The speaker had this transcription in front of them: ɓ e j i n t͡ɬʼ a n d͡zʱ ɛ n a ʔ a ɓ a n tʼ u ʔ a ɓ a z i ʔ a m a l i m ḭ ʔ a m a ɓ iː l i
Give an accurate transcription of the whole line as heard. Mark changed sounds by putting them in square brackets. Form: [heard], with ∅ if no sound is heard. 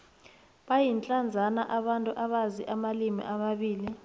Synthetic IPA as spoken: ɓ [a] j i n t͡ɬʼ a n d͡zʱ [a] n a ʔ a ɓ a n tʼ u ʔ a ɓ a z i ʔ a m a l i m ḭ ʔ a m a ɓ iː l i